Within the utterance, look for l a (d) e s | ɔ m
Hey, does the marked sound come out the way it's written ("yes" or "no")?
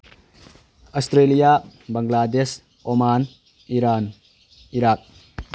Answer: yes